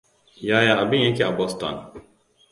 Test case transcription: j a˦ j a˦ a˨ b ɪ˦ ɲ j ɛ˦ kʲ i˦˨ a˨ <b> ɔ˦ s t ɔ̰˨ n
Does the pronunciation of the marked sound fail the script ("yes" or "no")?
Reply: no